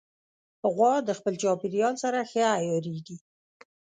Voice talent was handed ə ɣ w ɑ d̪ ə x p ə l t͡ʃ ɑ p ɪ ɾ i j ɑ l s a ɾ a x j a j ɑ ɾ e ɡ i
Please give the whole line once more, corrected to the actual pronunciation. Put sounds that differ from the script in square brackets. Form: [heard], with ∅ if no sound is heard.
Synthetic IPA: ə ɣ w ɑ d̪ ə x p ə l t͡ʃ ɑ p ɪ ɾ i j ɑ l s a ɾ a x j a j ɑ ɾ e ɡ i